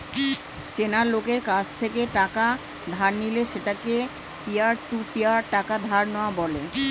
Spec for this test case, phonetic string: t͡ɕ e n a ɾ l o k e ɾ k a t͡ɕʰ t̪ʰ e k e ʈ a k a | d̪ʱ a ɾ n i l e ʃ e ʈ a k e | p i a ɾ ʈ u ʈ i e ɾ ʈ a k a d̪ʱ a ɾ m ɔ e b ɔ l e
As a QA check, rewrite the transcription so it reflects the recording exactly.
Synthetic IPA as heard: t͡ɕ e n a ɾ l o k e ɾ k a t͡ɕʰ t̪ʰ e k e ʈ a k a | d̪ʱ a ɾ n i l e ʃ e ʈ a k e | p i a ɾ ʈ u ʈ i a ɾ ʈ a k a d̪ʱ a ɾ n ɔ a b ɔ l e